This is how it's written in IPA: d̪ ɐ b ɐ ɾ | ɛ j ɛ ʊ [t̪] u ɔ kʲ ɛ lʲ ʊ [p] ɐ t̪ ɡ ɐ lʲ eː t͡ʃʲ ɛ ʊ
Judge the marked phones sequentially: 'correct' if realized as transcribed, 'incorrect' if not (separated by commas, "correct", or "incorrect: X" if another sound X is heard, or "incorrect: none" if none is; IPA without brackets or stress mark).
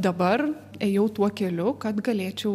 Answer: correct, incorrect: k